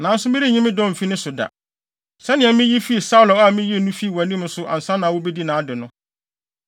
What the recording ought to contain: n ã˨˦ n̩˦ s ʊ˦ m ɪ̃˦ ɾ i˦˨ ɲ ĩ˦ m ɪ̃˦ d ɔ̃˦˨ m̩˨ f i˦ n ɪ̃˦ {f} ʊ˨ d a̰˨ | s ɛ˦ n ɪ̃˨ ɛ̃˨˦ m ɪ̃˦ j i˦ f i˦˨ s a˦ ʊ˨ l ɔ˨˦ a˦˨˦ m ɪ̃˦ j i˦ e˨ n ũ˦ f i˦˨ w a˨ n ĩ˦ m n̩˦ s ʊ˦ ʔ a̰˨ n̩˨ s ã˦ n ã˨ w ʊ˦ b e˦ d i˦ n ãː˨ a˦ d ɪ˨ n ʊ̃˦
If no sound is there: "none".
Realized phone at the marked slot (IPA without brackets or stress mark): s